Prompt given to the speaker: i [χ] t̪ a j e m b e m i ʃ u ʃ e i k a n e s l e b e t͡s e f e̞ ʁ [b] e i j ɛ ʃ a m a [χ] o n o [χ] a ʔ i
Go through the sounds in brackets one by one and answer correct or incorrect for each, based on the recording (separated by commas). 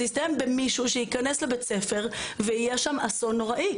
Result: incorrect, incorrect, incorrect, incorrect